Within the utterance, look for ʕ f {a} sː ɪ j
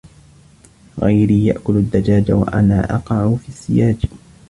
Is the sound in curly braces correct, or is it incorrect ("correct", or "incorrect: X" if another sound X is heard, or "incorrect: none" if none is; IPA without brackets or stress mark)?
incorrect: i